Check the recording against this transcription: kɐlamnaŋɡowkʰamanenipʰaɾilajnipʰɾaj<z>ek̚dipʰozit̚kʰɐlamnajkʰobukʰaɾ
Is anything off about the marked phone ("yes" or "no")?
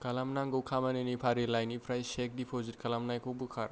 yes